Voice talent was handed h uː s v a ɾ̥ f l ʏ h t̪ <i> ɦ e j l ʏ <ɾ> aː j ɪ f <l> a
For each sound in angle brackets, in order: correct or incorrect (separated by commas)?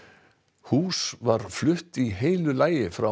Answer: correct, incorrect, incorrect